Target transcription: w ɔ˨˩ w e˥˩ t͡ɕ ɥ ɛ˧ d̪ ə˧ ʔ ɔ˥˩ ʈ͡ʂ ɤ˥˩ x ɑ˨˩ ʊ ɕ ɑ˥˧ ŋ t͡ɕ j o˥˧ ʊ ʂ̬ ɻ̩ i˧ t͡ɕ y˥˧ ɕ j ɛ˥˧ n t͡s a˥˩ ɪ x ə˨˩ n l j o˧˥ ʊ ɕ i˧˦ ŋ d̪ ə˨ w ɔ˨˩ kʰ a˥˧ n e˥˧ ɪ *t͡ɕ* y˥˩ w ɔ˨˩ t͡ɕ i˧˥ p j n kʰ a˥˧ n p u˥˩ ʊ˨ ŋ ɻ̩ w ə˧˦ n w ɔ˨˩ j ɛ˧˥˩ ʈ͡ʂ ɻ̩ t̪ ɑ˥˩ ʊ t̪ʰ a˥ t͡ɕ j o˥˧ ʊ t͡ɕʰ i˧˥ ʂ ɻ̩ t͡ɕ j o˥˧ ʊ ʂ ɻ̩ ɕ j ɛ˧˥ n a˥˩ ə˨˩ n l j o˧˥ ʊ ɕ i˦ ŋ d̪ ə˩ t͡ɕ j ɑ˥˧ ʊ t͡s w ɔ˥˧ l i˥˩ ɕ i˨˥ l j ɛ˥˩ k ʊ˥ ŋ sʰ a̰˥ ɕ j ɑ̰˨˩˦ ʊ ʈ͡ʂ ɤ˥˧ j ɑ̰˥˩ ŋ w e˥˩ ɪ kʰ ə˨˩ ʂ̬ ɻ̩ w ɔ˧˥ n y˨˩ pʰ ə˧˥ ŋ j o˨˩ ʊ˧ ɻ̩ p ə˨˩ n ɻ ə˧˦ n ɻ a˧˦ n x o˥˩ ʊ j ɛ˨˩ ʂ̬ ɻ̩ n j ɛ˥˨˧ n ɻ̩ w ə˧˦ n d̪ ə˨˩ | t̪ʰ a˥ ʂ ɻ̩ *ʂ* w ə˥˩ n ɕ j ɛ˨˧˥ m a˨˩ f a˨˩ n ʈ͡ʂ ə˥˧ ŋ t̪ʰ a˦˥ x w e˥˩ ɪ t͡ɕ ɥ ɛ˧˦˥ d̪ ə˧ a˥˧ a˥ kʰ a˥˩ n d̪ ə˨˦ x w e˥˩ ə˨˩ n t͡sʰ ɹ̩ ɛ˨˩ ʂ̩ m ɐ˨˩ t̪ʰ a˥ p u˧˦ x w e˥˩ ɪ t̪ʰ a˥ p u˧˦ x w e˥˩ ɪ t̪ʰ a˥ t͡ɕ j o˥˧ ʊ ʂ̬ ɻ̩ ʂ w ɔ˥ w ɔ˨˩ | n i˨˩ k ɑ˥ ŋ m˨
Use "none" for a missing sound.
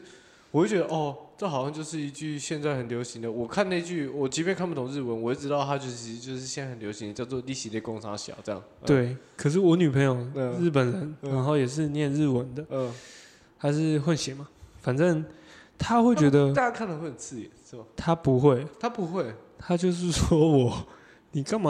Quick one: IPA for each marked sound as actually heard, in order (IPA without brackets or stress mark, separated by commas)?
t͡ɕ, x